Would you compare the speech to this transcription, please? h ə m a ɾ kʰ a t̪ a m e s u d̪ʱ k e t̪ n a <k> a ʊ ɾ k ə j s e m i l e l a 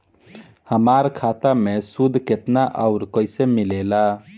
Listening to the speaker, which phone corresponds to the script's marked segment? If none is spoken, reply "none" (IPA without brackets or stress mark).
ʔ